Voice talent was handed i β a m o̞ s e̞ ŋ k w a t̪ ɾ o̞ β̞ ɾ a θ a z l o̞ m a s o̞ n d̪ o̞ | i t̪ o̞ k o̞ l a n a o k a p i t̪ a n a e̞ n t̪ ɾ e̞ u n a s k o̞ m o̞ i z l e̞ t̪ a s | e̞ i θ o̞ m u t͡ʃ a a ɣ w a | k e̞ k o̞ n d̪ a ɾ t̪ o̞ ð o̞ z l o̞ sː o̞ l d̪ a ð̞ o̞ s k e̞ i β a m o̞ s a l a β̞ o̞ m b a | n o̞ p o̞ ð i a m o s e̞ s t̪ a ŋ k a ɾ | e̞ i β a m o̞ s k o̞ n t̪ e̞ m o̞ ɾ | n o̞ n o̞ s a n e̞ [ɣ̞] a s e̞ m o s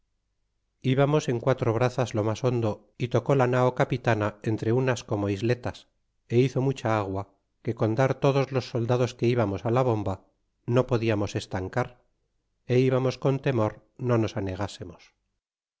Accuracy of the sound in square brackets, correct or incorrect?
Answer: correct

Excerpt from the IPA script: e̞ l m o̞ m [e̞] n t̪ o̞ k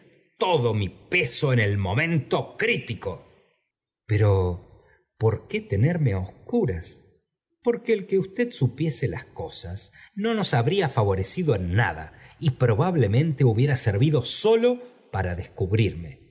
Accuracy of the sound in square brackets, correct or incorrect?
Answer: incorrect: ẽ̞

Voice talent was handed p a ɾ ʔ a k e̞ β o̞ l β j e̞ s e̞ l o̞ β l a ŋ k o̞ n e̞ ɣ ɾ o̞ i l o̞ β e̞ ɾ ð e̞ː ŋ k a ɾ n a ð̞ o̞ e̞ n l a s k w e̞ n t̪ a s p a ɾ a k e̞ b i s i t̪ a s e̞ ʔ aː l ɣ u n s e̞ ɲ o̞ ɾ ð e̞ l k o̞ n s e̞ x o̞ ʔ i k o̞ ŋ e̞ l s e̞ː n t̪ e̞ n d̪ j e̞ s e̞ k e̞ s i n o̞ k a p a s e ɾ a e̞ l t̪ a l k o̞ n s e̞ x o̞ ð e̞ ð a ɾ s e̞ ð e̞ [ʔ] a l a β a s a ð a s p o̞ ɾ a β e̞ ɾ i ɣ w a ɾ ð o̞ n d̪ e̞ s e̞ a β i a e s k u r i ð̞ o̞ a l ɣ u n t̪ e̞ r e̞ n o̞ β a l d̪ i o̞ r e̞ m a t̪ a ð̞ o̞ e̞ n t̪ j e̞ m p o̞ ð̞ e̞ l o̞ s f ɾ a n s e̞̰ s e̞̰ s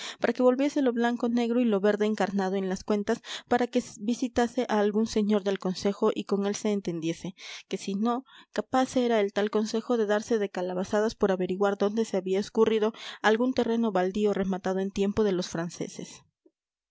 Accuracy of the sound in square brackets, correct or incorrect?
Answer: incorrect: k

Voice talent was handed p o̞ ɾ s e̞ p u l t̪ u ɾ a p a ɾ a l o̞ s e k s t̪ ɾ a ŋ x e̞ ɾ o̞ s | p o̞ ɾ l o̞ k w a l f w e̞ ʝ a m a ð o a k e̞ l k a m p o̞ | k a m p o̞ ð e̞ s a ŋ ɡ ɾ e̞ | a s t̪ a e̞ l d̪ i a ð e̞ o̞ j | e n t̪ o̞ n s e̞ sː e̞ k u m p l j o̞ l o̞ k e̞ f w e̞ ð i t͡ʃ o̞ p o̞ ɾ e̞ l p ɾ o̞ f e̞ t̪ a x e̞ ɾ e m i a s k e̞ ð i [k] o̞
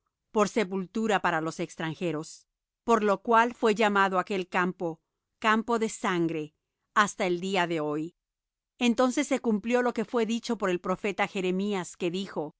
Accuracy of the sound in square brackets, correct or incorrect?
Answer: incorrect: x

